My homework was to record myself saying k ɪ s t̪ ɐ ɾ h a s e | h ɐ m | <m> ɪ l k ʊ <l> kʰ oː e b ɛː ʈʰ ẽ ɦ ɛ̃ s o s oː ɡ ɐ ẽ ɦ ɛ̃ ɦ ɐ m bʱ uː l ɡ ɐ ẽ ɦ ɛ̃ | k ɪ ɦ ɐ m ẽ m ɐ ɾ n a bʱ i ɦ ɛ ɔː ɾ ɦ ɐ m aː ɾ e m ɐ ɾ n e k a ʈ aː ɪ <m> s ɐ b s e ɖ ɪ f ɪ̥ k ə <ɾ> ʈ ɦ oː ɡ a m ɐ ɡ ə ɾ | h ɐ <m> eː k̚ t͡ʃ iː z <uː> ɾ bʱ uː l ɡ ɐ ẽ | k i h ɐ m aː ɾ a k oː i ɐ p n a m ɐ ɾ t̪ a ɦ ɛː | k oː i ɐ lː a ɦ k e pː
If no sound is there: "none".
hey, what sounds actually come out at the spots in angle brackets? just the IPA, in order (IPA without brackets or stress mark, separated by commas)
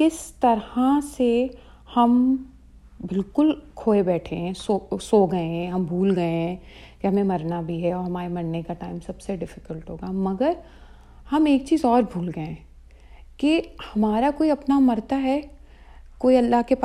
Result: b, l, m, l, m, ɔː